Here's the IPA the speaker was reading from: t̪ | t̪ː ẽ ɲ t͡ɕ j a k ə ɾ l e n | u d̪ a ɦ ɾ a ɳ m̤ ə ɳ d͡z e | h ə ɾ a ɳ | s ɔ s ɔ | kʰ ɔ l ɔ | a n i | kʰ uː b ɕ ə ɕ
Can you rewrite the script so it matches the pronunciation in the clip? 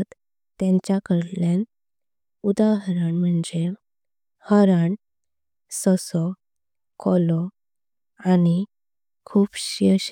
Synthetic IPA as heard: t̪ | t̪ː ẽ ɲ t͡ɕ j a k ə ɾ l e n | u d̪ a ɦ ɾ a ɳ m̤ ə ɳ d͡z e | h ə ɾ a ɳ | s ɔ s ɔ | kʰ ɔ l ɔ | a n i | kʰ uː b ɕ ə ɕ